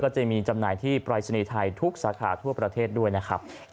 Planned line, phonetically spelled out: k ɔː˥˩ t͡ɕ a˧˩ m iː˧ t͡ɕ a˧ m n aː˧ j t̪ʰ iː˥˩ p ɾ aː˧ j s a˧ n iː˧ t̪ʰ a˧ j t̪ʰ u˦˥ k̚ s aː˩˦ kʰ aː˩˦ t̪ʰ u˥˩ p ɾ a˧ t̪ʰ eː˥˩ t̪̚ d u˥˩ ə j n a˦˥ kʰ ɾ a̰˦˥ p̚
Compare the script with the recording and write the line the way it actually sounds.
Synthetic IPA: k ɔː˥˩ t͡ɕ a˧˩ m iː˧ t͡ɕ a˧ m n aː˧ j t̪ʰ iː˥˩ p ɾ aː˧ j s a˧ n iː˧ t̪ʰ a˧ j t̪ʰ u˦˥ k̚ s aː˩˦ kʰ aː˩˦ t̪ʰ u˥˩ p ɾ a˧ t̪ʰ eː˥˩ t̪̚ d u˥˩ ə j n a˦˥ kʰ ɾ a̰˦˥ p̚